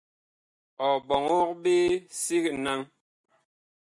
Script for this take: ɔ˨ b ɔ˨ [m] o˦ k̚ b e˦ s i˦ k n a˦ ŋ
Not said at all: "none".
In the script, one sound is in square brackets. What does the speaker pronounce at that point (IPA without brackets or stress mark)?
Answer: ŋ